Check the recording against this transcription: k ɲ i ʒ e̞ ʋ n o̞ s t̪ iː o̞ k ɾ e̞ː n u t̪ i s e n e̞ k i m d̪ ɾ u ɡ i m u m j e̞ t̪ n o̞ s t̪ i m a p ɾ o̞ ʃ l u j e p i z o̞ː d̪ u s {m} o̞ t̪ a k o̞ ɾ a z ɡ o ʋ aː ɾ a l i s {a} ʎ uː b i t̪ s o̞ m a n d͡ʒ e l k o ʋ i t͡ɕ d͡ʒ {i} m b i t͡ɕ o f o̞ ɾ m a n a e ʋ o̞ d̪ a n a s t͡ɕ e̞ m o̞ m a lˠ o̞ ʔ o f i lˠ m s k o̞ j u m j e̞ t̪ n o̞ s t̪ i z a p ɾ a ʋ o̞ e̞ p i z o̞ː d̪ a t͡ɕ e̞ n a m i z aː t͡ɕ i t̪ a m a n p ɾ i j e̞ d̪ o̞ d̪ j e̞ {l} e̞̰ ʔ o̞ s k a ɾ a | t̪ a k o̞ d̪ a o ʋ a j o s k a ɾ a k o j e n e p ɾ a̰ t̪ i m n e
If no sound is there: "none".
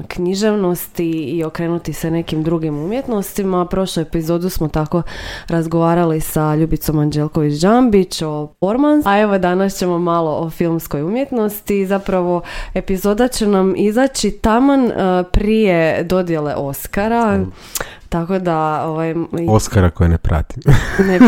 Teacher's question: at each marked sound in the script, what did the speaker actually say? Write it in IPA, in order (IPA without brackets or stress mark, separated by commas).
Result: m, a, a, l